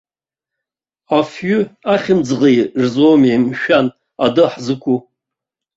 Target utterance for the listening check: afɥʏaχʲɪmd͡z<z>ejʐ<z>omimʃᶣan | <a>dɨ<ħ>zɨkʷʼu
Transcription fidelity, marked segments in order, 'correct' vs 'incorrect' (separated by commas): incorrect, correct, correct, correct